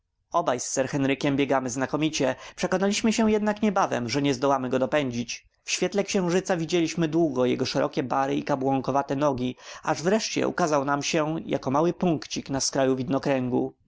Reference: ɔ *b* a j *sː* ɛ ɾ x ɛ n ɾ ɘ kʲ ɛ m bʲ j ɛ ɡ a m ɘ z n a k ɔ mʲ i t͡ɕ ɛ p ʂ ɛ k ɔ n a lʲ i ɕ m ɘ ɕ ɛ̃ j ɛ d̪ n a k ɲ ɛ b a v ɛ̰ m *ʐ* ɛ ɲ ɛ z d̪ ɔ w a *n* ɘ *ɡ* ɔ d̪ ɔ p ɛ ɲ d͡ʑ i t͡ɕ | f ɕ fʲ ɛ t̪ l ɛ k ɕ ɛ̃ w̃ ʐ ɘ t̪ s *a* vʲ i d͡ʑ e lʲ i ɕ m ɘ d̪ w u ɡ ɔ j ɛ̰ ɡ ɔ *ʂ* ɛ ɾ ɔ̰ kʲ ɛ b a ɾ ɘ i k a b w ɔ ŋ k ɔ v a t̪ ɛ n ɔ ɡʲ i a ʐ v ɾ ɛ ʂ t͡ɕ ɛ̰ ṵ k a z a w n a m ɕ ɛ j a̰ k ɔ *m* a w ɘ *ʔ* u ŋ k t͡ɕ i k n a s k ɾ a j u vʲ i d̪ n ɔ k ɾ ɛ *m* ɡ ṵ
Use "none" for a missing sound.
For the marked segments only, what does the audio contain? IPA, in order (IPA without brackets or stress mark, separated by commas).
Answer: b, sː, ʐ, m, ɡ, a, ʂ, m, p, ŋ